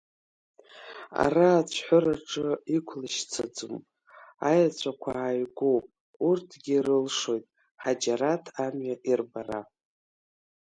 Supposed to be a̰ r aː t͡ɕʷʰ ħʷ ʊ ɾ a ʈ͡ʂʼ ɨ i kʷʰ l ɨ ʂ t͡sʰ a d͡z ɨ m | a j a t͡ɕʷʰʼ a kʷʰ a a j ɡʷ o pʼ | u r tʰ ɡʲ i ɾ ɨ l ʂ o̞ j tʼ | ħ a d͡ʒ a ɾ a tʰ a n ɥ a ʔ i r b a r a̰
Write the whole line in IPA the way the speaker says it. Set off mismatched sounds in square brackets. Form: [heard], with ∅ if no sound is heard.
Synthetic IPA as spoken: a̰ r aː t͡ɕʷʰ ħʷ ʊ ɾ a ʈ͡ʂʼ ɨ i kʷʰ l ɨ [ʃ] t͡sʰ a d͡z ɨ m | a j a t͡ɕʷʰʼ a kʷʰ a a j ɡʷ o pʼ | u r tʰ ɡʲ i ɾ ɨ l ʂ o̞ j tʼ | ħ a d͡ʒ a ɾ a tʰ a [m] ɥ a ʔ i r b a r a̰